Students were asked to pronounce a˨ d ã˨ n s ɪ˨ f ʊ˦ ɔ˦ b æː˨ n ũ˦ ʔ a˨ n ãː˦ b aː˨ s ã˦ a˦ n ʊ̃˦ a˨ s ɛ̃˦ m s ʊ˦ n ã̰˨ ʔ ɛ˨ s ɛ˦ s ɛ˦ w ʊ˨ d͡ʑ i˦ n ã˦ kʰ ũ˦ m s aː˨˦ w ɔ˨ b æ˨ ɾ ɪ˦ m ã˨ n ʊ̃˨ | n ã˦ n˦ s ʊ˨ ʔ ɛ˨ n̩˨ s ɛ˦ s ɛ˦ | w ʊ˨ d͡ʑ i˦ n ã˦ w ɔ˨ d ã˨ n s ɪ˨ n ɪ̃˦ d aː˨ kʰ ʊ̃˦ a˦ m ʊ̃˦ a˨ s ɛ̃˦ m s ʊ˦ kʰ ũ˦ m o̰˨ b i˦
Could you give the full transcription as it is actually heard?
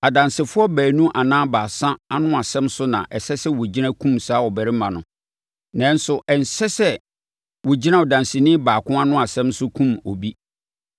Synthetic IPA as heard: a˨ d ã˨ n s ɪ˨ f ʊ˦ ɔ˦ b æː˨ n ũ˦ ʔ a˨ n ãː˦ b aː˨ s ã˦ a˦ n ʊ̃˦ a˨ s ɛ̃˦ m s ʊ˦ n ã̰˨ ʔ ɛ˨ s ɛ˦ s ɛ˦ w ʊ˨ d͡ʑ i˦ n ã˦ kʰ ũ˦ m s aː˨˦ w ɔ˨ b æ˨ ɾ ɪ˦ m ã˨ n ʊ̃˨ | n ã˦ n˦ s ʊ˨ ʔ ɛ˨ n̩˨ s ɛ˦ s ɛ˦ | w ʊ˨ d͡ʑ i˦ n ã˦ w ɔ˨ d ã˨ n s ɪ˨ n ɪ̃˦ b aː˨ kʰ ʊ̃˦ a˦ n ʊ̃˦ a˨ s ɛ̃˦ m s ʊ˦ kʰ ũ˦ m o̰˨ b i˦